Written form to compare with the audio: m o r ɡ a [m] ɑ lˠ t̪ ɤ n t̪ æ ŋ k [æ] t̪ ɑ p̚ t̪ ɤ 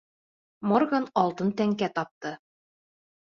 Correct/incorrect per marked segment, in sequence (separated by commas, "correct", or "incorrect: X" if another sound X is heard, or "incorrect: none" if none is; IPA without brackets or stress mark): incorrect: n, correct